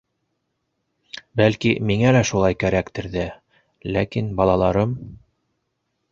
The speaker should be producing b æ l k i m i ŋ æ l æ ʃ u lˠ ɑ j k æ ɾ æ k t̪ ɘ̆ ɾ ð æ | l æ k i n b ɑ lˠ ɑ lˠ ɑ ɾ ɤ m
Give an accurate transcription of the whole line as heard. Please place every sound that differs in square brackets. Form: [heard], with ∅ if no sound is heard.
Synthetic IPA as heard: b æ l k i m i ŋ æ l æ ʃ u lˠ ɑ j k æ ɾ æ k t̪ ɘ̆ ɾ ð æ | l æ k i n b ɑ lˠ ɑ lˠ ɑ ɾ ɤ m